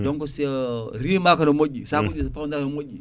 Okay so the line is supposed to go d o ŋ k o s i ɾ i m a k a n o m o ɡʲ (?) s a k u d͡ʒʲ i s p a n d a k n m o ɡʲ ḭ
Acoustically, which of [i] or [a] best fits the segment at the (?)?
i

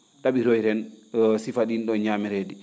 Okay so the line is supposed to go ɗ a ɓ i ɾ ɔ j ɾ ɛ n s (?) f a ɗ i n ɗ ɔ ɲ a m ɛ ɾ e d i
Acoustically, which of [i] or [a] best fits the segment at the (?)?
i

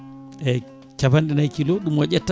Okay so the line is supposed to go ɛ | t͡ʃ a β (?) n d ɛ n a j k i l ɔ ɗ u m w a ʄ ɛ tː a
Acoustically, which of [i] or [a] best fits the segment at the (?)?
a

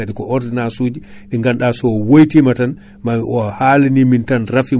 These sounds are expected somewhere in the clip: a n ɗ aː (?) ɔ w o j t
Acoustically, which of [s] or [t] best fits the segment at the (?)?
s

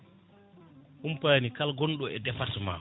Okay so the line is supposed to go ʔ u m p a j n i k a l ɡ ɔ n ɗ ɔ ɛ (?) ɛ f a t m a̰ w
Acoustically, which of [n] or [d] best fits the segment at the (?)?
d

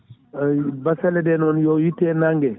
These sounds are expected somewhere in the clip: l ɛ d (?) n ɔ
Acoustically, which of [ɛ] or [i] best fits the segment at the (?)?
ɛ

